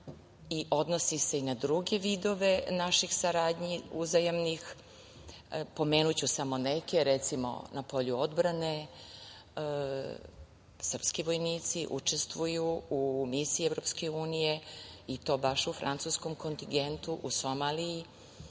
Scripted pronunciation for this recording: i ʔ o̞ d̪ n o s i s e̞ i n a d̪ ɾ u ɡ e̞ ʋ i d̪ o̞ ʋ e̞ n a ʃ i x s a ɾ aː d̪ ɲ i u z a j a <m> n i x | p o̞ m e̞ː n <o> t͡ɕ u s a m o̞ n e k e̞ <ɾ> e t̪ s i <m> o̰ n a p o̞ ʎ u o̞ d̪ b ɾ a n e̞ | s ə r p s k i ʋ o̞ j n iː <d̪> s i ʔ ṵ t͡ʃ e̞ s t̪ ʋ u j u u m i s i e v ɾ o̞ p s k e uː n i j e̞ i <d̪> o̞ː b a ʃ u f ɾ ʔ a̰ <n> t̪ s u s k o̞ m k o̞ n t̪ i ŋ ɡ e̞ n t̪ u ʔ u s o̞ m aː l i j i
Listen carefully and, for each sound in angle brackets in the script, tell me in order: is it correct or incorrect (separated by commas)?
correct, incorrect, correct, correct, incorrect, incorrect, correct